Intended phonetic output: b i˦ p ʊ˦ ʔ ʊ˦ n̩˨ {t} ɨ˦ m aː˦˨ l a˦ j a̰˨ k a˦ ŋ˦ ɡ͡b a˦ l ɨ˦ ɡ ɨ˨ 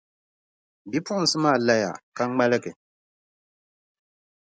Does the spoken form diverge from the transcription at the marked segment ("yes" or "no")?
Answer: yes